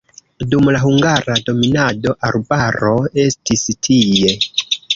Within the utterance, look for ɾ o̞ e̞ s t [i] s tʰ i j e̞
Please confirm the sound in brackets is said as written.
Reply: yes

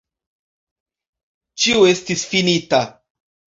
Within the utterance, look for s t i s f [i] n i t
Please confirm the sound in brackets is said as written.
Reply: yes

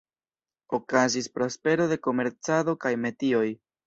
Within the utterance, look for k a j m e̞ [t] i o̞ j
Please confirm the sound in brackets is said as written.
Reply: yes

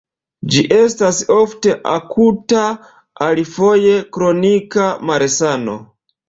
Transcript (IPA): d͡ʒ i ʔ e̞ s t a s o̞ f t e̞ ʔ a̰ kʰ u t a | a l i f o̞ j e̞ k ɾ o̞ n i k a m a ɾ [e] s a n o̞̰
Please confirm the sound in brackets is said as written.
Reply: yes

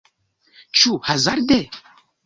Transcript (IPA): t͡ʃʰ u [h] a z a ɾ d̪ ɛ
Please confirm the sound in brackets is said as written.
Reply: yes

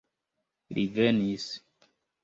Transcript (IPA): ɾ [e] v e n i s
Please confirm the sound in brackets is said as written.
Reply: no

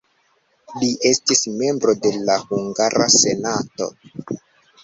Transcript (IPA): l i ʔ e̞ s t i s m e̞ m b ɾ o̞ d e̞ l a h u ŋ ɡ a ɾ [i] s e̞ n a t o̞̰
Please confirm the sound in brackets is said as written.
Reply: no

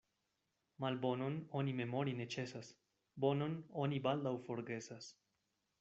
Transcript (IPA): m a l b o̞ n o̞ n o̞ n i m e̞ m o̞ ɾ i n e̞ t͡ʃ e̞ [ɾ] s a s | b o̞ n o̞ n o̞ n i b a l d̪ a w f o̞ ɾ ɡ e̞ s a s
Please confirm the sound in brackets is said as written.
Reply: no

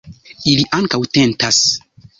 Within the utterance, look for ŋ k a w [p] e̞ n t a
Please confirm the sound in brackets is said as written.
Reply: no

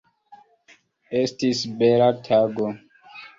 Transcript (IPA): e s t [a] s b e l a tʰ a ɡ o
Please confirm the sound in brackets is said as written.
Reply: no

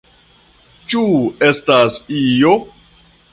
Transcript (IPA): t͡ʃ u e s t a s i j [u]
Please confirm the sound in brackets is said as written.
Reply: no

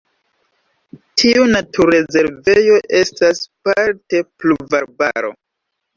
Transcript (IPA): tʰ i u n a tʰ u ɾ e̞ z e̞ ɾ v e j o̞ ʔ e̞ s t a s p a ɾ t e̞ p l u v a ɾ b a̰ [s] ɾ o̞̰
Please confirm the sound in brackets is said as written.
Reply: no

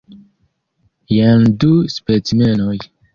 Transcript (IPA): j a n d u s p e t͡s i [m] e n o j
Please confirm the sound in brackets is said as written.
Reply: yes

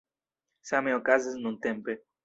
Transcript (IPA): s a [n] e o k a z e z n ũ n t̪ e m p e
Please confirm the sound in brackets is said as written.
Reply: no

